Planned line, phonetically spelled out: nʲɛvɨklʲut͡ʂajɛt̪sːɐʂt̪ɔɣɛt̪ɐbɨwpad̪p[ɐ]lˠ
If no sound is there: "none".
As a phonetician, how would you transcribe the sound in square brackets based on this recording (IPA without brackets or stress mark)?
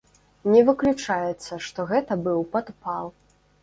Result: a